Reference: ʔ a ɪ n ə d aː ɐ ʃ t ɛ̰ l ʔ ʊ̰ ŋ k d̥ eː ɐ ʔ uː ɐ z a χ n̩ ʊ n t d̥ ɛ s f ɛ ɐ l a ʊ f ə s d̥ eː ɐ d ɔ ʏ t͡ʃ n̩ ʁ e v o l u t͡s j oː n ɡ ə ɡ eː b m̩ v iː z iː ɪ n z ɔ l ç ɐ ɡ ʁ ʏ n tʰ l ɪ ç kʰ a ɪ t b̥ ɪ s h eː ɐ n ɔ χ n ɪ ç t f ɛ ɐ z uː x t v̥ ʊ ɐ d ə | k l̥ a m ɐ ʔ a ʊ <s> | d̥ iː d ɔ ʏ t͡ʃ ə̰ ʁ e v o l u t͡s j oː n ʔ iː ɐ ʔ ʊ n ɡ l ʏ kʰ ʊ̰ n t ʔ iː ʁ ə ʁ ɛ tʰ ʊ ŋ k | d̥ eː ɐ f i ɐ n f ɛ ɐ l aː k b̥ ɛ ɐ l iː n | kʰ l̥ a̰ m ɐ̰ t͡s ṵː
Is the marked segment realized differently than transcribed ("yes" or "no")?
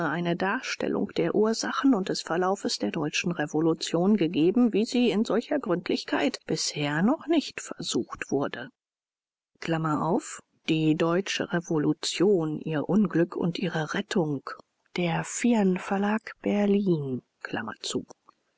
yes